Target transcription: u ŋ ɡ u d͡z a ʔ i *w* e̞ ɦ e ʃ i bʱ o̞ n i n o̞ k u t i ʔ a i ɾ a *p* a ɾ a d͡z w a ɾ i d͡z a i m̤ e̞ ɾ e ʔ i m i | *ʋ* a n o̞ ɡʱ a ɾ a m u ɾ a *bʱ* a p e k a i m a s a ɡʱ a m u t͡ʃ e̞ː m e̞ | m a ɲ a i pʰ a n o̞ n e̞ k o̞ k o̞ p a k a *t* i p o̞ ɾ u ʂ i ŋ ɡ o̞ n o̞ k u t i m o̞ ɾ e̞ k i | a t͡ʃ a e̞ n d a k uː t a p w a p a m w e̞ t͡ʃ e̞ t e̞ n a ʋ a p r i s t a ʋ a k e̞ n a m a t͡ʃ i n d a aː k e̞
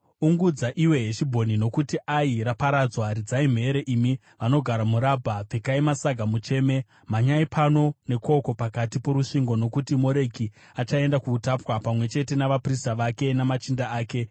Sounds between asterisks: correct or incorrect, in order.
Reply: correct, correct, correct, correct, correct

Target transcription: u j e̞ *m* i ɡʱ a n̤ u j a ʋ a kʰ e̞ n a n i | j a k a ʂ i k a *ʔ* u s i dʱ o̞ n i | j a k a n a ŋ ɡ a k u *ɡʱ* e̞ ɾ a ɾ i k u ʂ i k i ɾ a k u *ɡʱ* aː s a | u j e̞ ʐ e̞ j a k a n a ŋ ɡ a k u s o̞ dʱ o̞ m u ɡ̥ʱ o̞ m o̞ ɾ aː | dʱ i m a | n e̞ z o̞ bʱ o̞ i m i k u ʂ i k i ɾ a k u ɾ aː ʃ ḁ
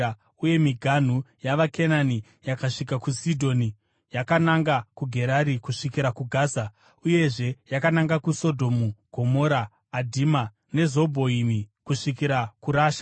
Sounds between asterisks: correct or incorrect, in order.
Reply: correct, incorrect: k, correct, correct

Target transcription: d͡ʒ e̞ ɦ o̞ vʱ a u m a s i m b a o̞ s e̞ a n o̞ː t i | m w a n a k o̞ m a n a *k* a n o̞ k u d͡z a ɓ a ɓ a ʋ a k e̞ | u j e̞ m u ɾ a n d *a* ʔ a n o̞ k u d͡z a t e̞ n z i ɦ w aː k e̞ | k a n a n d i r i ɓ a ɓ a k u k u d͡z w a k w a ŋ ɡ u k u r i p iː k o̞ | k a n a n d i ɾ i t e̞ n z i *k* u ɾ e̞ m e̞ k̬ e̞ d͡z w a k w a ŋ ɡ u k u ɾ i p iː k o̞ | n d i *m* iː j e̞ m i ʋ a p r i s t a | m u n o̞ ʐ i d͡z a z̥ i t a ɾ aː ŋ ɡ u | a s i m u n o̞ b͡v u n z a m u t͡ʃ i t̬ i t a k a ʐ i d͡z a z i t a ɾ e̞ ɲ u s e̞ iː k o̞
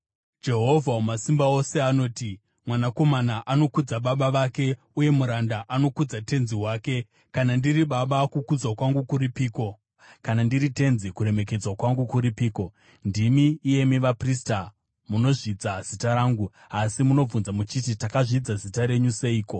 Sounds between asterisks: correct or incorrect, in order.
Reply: incorrect: ʔ, correct, correct, correct

